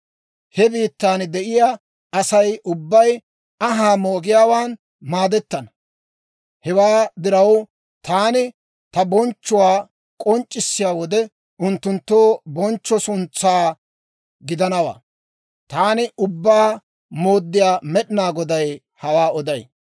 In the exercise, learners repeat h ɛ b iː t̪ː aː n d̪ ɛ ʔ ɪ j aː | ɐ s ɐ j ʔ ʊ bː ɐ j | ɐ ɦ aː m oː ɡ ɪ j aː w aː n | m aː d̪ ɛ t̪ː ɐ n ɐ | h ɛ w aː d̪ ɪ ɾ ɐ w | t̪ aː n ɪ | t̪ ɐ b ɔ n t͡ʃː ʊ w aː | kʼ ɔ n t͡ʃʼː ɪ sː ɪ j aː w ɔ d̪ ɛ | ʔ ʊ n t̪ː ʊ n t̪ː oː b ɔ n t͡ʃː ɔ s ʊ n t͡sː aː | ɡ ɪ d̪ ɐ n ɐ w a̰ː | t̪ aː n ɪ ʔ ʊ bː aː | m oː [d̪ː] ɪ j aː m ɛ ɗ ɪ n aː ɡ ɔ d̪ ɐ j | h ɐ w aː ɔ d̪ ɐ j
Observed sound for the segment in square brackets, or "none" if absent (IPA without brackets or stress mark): d̪ː